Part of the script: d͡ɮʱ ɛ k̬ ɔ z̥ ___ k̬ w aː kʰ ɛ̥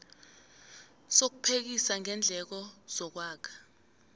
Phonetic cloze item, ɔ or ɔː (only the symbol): ɔ